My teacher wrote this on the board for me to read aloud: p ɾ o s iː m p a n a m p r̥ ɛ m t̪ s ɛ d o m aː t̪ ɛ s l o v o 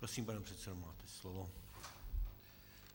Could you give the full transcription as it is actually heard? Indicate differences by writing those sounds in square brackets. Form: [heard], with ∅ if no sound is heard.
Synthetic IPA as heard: p ɾ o s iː m p a n [ɛ] m p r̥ ɛ [∅] t̪ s ɛ d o m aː t̪ ɛ s l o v o